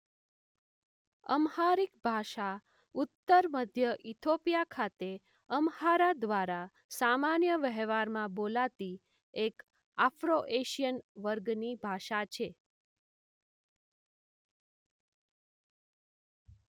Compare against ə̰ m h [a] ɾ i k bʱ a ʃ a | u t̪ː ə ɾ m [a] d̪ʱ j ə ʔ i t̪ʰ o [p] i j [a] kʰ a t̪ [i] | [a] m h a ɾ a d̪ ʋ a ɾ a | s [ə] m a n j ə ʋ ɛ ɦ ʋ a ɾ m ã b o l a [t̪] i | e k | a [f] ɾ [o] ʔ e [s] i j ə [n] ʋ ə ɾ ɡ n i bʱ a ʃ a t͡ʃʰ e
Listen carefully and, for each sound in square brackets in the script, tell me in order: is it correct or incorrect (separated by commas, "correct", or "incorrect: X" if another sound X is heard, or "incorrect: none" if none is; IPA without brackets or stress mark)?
correct, incorrect: ə, correct, correct, incorrect: e, incorrect: ə, incorrect: a, correct, correct, correct, incorrect: ʃ, correct